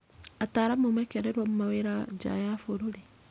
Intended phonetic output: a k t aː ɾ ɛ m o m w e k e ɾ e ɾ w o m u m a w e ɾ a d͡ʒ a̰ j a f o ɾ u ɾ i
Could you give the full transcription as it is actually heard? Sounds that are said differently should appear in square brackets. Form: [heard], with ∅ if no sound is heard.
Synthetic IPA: a [∅] t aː ɾ [a] m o m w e k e ɾ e ɾ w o m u m a w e ɾ a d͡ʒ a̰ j a f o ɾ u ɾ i